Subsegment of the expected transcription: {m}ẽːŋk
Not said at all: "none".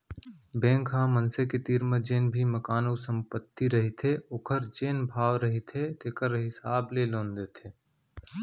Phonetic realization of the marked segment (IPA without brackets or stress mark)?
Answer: b